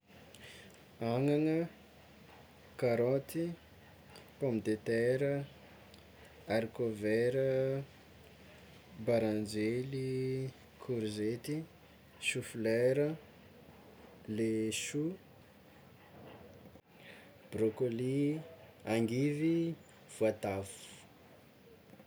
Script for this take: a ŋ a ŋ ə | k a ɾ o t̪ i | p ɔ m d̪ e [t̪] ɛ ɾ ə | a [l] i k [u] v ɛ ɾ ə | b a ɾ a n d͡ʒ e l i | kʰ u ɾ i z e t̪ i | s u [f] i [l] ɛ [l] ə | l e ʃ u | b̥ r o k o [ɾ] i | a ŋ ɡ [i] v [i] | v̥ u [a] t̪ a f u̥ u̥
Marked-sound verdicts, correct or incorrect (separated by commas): correct, incorrect, incorrect, correct, correct, incorrect, incorrect, correct, correct, correct